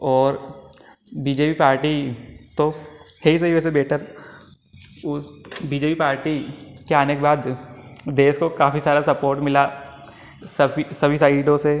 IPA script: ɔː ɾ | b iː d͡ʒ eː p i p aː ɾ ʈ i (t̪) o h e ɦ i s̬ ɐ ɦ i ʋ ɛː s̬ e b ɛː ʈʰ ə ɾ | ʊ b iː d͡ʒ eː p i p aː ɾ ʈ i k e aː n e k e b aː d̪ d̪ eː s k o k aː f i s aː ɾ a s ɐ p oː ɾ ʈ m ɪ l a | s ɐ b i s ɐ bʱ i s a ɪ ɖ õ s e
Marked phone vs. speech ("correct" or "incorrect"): correct